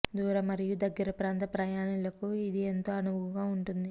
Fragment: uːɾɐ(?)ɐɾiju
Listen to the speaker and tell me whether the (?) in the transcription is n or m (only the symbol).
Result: m